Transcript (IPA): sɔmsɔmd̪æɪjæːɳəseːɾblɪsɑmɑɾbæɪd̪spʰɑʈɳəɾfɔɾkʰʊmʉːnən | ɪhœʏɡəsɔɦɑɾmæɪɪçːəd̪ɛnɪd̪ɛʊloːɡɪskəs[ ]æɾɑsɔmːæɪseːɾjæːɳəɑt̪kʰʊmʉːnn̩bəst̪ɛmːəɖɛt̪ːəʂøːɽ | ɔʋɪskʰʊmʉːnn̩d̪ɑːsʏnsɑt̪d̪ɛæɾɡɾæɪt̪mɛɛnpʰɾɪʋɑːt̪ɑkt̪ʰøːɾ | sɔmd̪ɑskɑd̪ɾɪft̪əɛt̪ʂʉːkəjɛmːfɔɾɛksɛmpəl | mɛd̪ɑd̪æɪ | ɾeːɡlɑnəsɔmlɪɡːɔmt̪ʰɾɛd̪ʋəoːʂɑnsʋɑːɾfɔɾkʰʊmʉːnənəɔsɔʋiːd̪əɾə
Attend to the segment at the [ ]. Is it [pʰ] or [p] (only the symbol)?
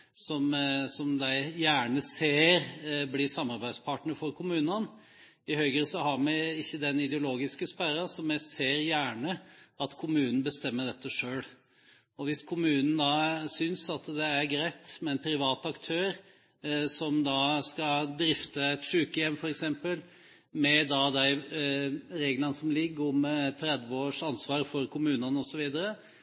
p